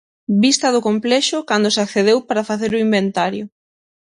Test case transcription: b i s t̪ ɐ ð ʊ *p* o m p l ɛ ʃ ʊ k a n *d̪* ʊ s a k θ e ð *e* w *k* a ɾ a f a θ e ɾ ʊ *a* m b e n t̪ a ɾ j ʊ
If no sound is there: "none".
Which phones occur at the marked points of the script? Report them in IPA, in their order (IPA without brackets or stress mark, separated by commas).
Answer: k, d̪, e, p, i